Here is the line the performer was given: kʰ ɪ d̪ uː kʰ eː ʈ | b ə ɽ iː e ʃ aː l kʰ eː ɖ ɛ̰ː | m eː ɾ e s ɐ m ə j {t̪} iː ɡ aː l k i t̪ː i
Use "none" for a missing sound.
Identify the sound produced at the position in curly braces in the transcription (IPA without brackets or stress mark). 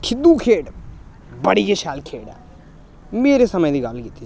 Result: d̪